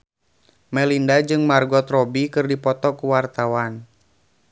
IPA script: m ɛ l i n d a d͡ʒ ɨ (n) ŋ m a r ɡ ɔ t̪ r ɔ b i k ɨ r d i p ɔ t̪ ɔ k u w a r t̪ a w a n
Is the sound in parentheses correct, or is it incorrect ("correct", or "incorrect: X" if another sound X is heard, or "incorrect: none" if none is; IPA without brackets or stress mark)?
incorrect: none